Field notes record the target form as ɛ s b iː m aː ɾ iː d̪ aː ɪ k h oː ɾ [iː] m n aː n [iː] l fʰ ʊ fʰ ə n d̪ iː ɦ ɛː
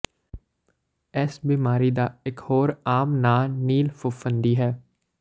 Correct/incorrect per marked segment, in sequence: incorrect: aː, correct

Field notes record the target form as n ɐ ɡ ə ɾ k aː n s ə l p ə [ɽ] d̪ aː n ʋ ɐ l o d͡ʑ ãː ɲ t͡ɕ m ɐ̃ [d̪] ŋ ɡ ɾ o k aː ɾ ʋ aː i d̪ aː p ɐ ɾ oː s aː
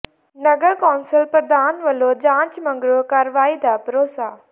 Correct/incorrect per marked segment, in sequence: incorrect: ɾ, incorrect: none

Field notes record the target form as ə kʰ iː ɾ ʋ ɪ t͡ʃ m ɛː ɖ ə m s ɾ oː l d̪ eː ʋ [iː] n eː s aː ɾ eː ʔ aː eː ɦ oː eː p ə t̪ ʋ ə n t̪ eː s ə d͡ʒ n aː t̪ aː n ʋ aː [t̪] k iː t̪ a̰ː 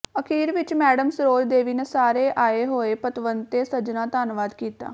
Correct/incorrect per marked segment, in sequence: correct, incorrect: d̪

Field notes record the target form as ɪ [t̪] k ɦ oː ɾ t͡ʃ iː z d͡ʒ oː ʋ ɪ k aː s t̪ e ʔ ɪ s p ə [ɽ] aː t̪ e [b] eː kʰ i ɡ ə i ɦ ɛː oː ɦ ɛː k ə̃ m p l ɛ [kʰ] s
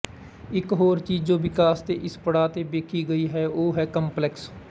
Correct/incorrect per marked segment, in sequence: incorrect: none, correct, correct, incorrect: k

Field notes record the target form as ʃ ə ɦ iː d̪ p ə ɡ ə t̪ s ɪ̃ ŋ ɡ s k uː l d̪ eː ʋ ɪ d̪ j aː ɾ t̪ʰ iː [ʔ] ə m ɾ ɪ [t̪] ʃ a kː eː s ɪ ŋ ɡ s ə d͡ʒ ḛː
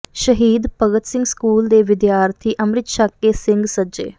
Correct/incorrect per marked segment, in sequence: correct, correct

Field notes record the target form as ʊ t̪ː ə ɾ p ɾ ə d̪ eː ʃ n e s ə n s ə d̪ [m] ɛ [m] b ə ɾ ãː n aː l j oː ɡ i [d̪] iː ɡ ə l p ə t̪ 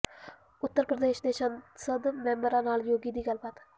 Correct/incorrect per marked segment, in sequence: correct, correct, correct

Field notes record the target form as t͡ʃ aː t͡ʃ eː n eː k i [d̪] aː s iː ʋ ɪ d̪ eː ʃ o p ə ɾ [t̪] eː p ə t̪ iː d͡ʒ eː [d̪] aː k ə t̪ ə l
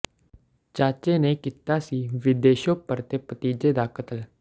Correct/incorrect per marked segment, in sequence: incorrect: t̪, correct, correct

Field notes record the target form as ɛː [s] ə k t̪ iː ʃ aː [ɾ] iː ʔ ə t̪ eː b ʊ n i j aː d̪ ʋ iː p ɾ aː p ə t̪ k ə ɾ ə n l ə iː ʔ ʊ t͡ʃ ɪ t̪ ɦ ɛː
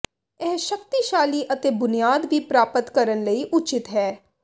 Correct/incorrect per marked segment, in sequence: incorrect: ʃ, incorrect: l

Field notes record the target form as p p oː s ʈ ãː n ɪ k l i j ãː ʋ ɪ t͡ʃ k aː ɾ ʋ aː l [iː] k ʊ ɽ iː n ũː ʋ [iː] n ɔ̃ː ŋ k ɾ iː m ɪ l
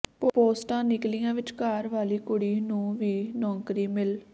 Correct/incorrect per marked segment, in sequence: correct, correct

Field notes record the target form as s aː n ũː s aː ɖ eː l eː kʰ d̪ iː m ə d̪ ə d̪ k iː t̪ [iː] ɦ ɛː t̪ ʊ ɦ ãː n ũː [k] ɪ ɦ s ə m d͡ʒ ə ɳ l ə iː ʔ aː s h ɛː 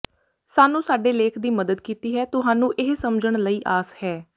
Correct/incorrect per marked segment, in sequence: correct, incorrect: ʔ

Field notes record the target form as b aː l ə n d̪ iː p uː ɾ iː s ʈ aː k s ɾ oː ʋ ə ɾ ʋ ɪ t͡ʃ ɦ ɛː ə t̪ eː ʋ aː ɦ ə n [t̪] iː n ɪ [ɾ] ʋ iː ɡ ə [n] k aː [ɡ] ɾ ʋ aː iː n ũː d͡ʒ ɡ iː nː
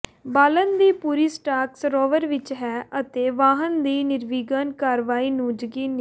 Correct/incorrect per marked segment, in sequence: incorrect: d̪, correct, correct, incorrect: none

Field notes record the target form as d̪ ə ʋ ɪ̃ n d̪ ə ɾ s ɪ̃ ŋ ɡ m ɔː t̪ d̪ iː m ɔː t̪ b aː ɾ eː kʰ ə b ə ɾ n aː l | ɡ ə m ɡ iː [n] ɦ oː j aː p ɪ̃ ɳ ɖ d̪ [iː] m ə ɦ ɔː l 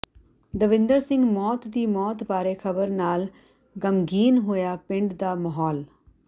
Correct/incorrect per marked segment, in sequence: correct, incorrect: aː

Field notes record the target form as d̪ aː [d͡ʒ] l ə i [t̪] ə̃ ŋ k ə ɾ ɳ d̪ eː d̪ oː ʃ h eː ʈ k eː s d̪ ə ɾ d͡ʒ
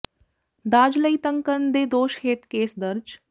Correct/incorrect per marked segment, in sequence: correct, correct

